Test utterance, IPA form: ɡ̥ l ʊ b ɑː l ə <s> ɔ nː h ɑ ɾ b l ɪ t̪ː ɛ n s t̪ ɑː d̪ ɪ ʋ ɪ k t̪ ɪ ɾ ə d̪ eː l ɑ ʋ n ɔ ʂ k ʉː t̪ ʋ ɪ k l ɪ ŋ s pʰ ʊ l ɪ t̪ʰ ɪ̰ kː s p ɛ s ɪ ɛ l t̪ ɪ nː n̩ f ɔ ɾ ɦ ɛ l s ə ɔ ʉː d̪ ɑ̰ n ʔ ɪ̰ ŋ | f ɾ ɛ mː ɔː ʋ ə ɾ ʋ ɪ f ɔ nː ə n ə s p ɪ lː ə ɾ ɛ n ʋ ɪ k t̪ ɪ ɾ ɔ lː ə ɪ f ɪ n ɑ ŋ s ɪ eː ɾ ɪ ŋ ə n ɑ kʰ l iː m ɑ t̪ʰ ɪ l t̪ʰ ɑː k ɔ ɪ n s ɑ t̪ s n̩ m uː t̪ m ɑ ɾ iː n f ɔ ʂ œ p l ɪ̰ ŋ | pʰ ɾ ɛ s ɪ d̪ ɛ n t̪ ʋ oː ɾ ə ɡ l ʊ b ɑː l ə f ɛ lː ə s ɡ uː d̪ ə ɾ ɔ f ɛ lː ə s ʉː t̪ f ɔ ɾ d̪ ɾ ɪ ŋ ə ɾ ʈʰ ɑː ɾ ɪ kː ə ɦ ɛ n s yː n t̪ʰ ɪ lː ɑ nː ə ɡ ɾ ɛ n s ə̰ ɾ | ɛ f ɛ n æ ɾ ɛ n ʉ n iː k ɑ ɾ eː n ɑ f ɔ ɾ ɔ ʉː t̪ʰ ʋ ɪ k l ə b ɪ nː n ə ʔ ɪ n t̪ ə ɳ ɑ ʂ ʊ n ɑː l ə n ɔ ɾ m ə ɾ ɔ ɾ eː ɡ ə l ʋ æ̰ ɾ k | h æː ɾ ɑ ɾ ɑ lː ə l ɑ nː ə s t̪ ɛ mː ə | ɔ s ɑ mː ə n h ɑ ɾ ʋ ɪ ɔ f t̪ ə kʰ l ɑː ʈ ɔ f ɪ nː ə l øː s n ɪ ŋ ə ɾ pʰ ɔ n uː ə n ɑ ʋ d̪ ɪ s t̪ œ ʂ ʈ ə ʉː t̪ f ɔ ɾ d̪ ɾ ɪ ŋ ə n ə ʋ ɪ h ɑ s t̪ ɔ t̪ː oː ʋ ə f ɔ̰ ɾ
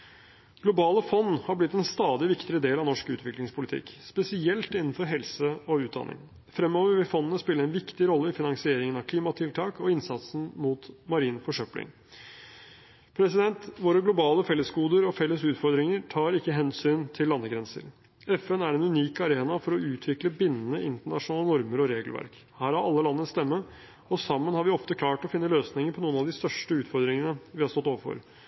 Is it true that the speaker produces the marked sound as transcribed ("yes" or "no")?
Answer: no